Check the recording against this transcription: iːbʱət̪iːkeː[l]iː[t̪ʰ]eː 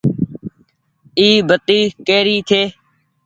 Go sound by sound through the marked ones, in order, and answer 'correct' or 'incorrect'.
incorrect: ɾ, correct

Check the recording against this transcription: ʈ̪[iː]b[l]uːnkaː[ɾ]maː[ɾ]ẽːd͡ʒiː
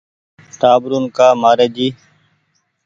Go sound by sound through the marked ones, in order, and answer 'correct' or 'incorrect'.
incorrect: aː, incorrect: ɾ, incorrect: none, correct

